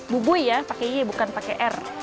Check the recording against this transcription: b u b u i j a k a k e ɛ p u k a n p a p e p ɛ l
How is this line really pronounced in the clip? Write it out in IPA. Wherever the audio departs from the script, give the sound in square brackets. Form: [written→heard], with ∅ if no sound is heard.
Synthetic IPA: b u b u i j a [k→p] a k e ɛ [p→b] u k a n p a [p→k] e [p→ʔ] ɛ [l→r]